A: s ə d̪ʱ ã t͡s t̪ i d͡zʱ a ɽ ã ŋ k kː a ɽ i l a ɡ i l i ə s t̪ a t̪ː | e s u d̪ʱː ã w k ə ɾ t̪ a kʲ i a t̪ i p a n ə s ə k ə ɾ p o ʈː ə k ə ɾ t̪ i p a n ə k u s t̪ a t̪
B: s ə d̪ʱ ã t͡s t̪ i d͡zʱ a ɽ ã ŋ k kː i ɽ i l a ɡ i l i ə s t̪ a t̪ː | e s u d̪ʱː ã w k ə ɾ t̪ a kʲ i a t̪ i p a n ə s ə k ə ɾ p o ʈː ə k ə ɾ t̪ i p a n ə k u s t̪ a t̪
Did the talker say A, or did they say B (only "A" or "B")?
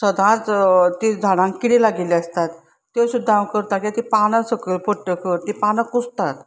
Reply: B